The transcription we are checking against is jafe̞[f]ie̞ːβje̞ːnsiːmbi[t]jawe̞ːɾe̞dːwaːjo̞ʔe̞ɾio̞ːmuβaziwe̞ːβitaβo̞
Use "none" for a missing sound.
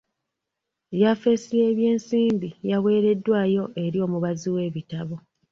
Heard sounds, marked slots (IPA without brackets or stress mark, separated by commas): s, none